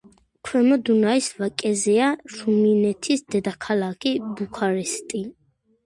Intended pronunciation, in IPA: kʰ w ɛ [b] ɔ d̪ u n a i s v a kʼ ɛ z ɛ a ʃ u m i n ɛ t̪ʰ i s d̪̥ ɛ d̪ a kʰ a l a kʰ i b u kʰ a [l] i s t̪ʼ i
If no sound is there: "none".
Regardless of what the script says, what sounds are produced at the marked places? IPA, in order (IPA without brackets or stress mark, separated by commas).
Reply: m, ɾ